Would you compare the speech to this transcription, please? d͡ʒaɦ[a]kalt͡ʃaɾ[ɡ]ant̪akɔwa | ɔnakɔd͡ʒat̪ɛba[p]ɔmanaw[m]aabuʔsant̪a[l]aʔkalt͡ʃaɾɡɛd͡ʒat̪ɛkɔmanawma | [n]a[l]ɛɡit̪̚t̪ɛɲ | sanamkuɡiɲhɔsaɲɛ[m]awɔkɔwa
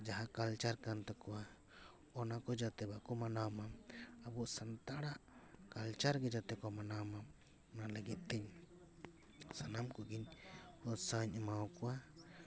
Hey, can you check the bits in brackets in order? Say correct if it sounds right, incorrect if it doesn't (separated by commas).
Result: correct, incorrect, incorrect, correct, incorrect, correct, correct, correct